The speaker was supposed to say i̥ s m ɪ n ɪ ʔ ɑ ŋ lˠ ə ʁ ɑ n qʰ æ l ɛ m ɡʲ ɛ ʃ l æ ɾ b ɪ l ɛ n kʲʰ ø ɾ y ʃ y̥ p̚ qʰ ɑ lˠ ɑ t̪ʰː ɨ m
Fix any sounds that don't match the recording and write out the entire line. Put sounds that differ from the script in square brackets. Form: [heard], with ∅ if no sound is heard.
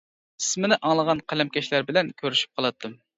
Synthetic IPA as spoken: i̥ s m ɪ n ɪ ʔ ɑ ŋ lˠ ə ʁ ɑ n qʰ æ l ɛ m [kʲ] ɛ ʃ l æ ɾ b ɪ l ɛ n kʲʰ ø ɾ y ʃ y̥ p̚ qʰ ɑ lˠ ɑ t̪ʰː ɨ m